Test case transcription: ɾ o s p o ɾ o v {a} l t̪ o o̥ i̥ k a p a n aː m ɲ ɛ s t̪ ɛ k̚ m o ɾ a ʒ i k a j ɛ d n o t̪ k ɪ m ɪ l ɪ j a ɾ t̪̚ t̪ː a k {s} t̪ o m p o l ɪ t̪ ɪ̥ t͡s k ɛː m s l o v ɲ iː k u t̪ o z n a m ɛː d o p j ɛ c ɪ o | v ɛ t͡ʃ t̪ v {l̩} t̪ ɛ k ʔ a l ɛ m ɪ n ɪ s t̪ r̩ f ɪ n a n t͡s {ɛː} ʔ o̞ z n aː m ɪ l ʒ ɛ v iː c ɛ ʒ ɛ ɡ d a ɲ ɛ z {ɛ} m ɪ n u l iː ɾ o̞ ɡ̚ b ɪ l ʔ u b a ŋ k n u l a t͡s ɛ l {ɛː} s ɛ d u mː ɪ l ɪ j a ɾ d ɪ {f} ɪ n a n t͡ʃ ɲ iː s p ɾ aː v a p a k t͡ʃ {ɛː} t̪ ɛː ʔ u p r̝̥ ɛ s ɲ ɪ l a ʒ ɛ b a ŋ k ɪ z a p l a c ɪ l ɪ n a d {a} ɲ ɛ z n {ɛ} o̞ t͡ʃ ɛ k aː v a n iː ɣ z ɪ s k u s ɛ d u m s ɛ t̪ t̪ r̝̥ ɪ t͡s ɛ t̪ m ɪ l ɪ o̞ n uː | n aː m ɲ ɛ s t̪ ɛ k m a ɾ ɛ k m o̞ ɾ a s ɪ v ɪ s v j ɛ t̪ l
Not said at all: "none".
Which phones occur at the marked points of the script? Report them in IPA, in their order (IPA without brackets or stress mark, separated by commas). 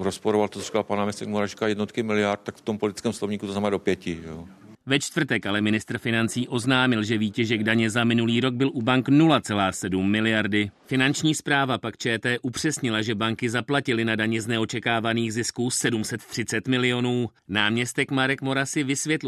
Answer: a, f, r̩, iː, a, aː, f, ɛː, a, ɛ